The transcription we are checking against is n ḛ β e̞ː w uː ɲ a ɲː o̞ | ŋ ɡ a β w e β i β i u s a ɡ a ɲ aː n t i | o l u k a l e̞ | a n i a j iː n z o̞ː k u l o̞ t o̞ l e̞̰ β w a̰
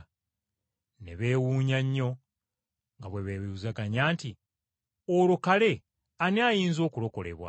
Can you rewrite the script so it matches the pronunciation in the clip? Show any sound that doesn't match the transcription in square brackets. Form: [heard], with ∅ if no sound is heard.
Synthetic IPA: n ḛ β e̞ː w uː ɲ a ɲː o̞ | ŋ ɡ a β w e β [e] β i u [z] a ɡ a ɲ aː n t i | o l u k a l e̞ | a n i a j iː n z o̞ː k u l o̞ [k] o̞ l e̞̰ β w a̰